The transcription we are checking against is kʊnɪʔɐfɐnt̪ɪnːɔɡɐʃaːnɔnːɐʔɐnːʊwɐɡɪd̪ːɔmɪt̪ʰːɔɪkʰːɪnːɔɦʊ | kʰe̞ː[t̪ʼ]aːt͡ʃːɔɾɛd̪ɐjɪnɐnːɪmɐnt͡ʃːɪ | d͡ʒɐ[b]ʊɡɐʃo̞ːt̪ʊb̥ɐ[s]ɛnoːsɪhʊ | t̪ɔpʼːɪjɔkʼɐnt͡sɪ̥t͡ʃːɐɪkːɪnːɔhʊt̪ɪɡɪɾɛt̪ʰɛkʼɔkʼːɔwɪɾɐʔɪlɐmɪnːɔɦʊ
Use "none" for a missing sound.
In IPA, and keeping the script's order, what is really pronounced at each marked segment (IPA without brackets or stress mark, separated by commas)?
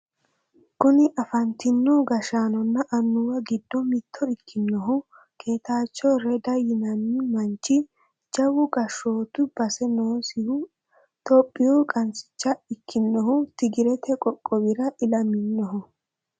t̪, w, s